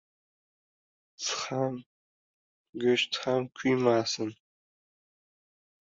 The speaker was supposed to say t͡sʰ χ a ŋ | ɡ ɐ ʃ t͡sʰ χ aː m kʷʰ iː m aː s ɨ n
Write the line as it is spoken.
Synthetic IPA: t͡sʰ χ a m | ɡ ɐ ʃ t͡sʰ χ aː m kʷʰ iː m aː s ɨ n

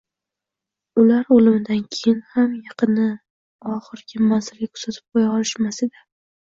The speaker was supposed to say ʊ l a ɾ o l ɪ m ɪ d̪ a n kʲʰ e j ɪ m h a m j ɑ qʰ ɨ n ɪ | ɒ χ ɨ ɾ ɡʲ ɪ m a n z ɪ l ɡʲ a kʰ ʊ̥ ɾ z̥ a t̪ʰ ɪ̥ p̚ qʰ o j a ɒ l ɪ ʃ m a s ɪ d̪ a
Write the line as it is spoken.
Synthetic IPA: ʊ l a ɾ o l ɪ m ɪ d̪ a n kʲʰ e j ɪ n h a m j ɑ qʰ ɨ n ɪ | ɒ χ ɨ ɾ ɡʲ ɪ m a n z ɪ l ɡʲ a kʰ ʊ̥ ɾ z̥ a t̪ʰ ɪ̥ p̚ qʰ o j a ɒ l ɪ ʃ m a s ɪ d̪ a

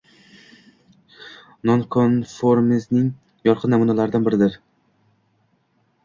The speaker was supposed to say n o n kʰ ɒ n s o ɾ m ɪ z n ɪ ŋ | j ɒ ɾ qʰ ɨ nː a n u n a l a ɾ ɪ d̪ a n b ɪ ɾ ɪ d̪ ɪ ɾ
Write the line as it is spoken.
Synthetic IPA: n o n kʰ o n f o ɾ m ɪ z n ɪ ŋ | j ɒ ɾ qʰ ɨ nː a m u n a l a ɾ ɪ d̪ a n b ɪ ɾ ɪ d̪ ɪ ɾ

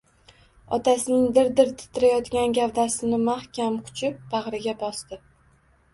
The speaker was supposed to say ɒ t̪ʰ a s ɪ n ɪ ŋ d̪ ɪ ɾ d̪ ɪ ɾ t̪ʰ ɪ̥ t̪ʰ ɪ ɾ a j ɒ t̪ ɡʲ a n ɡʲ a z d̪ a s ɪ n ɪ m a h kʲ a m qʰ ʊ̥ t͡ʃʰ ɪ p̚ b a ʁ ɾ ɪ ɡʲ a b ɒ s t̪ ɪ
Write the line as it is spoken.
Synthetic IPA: ɒ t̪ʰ a s ɪ n ɪ ŋ d̪ ɪ ɾ d̪ ɪ ɾ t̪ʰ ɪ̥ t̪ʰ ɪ ɾ a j ɒ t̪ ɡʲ a n ɡʲ a v d̪ a s ɪ n ɪ m a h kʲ a m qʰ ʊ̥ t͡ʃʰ ɪ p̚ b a ʁ ɾ ɪ ɡʲ a b ɒ s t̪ ɪ

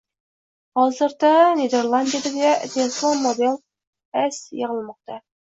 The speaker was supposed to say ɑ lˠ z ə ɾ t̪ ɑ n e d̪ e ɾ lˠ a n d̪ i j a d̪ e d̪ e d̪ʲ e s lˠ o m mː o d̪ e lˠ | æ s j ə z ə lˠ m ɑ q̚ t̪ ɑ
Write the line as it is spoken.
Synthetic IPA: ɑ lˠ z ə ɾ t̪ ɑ n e d̪ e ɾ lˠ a n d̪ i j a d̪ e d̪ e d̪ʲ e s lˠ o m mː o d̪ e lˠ | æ s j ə ʁ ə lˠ m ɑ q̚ t̪ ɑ

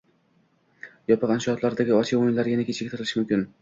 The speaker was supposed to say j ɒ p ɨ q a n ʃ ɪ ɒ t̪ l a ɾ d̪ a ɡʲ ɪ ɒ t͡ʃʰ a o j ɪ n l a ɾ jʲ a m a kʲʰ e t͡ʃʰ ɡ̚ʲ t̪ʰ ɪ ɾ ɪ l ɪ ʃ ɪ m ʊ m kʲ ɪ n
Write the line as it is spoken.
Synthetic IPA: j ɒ p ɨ q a n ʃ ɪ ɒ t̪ l a ɾ d̪ a ɡʲ ɪ ɒ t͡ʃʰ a o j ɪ n l a ɾ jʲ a n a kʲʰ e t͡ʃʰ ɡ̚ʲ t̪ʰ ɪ ɾ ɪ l ɪ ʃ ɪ m ʊ m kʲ ɪ n

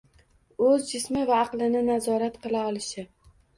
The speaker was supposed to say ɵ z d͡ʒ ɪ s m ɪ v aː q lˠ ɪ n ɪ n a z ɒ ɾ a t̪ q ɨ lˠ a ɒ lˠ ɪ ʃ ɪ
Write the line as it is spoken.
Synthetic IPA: ɵ z d͡ʒ ɪ s m ɪ v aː q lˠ ɪ n ɪ n a z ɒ ɾ a t̪ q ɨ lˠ a ɒ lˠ ɪ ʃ ɪ

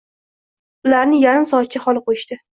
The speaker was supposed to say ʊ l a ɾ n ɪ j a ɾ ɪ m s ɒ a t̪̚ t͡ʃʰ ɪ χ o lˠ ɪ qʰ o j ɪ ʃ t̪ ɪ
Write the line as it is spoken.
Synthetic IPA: ʊ l a ɾ n ɪ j a ɾ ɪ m s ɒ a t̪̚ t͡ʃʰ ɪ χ ɒ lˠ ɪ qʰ o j ɪ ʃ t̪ ɪ

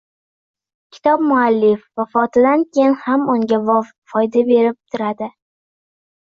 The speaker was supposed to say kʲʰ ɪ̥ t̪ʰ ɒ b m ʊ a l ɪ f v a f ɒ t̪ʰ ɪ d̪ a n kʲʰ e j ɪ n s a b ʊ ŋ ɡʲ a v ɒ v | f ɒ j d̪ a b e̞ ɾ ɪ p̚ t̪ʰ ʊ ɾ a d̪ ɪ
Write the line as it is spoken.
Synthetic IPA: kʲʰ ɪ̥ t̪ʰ ɒ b m ʊ a lː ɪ f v a f ɒ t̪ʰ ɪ d̪ a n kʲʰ e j ɪ n h a m ʊ ŋ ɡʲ a v ɒ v | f ɒ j d̪ a b e̞ ɾ ɪ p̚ t̪ʰ ʊ ɾ a d̪ ɪ

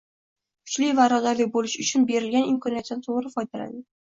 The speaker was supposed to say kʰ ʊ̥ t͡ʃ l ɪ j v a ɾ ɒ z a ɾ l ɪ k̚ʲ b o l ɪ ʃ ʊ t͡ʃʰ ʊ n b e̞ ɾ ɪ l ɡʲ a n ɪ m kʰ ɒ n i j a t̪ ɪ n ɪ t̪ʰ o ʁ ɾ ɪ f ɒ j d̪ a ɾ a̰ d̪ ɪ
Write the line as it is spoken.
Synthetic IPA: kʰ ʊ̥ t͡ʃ l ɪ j v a ɾ ɒ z a ɾ l ɪ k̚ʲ b o l ɪ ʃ ʊ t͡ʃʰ ʊ n b e̞ ɾ ɪ l ɡʲ a n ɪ m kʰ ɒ n i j a t̪ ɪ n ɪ t̪ʰ o ʁ ɾ ɪ f ɒ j d̪ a l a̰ d̪ ɪ

